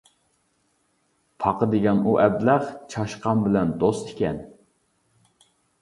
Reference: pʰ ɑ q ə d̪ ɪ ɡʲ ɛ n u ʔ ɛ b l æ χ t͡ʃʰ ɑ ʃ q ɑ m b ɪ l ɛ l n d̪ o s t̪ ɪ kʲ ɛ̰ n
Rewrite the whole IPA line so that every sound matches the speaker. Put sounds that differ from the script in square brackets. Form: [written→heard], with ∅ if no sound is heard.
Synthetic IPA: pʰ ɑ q ə d̪ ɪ ɡʲ ɛ n u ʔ ɛ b l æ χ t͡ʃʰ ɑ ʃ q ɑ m b ɪ l ɛ [l→∅] n d̪ o s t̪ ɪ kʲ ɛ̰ n